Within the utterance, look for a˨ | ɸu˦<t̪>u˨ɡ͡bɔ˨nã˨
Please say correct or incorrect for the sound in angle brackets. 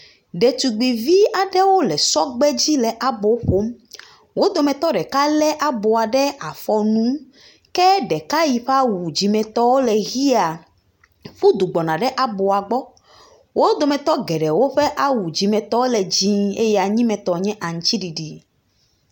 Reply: incorrect: d̪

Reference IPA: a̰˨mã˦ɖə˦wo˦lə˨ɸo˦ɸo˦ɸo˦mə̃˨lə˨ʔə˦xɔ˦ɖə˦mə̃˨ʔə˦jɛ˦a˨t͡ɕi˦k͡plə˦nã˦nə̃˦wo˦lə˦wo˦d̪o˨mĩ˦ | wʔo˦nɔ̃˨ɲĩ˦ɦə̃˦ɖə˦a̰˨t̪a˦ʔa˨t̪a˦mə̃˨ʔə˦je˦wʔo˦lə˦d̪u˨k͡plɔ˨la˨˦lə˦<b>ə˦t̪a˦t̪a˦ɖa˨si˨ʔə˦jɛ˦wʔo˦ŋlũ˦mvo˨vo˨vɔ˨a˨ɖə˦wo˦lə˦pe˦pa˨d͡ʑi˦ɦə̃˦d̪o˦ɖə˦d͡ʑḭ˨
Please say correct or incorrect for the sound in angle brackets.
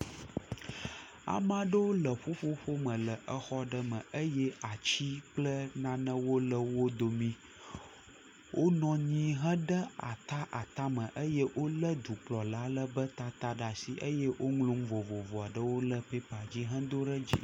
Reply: correct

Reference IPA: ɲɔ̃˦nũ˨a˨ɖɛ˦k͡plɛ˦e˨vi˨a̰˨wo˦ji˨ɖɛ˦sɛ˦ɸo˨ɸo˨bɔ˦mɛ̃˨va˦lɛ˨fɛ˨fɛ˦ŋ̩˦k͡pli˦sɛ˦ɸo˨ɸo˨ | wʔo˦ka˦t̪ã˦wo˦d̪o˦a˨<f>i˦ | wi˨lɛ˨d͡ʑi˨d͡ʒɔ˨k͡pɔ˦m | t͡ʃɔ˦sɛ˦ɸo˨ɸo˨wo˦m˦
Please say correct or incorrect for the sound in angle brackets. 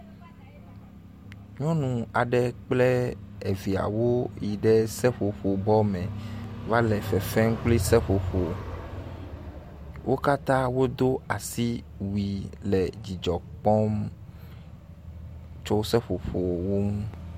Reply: incorrect: s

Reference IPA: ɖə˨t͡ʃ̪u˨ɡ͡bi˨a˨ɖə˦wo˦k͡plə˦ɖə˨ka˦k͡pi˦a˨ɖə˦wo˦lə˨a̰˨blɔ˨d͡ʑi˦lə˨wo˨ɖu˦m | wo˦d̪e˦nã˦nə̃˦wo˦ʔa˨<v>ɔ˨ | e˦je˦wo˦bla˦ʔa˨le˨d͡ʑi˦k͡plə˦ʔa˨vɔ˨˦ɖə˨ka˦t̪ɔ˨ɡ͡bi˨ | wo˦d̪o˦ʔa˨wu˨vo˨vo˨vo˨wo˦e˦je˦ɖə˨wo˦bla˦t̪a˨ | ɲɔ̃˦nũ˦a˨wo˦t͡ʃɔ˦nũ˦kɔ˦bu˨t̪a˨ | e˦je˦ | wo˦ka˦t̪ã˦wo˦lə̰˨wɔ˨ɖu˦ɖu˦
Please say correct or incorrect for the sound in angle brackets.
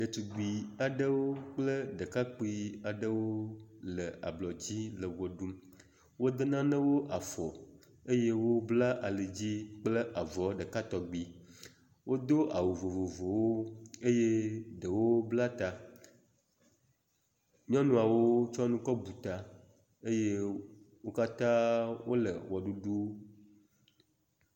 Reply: incorrect: f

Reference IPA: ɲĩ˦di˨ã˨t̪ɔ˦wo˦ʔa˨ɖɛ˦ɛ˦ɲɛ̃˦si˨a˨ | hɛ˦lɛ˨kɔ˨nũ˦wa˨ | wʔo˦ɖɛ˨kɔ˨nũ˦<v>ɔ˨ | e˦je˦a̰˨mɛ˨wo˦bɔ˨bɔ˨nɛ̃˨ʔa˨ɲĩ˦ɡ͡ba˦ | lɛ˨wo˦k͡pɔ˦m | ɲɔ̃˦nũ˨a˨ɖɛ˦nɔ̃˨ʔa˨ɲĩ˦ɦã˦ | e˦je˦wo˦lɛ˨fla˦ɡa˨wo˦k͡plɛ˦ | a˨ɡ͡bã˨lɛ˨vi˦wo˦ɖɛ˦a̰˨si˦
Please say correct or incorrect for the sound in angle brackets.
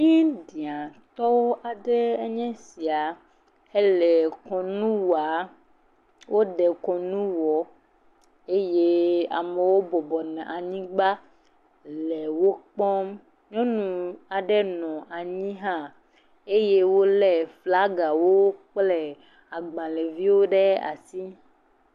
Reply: incorrect: w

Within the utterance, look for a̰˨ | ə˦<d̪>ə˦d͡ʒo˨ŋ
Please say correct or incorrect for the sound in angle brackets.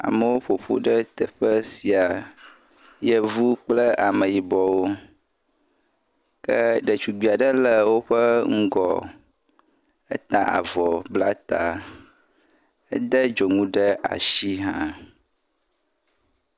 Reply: correct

